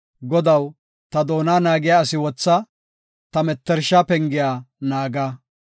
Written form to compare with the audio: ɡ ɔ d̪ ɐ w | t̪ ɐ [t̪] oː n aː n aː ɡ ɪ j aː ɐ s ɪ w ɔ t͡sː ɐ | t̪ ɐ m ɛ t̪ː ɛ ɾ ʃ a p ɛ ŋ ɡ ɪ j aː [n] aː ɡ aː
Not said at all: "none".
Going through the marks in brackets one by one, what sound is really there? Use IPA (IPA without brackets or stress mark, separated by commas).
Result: d̪, n